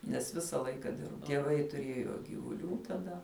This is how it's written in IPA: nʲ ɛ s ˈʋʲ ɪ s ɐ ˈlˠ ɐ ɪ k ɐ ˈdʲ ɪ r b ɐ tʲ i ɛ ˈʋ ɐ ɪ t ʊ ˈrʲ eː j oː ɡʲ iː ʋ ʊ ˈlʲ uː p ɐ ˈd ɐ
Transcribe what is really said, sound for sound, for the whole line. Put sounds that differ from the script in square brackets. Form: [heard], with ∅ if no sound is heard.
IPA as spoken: nʲ ɛ s ˈʋʲ ɪ s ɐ ˈlˠ ɐ ɪ k ɐ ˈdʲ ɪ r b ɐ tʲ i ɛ ˈʋ ɐ ɪ t ʊ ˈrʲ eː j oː ɡʲ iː ʋ ʊ ˈlʲ uː [t] ɐ ˈd ɐ